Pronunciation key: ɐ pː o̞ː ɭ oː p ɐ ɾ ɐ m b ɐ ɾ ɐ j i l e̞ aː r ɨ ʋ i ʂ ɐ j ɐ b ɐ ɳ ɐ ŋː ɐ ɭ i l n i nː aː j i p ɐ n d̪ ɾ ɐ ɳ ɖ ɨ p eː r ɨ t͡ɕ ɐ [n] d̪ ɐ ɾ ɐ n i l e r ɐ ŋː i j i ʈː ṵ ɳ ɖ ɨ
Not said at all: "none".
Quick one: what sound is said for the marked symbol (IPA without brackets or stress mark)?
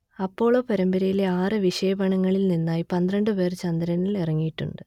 n